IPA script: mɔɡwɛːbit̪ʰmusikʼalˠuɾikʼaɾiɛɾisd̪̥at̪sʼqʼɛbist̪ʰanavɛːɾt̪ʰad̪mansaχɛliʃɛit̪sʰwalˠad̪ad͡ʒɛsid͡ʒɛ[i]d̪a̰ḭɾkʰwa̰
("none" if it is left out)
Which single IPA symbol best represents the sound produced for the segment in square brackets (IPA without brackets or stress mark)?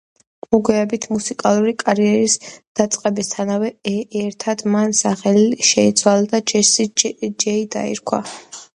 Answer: i